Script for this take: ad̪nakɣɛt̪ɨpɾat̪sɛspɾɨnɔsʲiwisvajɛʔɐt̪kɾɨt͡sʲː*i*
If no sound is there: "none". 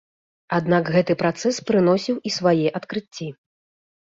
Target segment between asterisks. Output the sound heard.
i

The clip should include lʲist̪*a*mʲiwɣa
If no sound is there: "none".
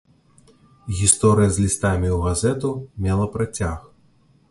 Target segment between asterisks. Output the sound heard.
a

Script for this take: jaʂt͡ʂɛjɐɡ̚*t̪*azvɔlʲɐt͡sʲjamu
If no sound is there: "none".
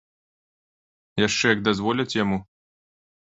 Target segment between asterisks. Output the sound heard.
d̪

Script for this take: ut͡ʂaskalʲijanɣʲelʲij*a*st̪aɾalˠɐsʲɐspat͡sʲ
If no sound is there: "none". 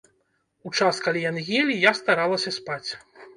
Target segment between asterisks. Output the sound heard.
a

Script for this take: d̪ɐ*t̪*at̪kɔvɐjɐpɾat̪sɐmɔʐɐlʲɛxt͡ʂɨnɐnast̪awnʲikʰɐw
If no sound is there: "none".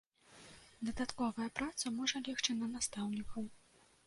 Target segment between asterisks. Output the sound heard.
d̪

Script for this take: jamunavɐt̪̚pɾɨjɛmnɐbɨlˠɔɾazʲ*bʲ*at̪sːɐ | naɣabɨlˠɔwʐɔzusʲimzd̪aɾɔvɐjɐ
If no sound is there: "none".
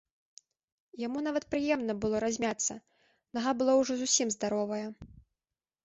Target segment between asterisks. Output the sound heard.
mʲ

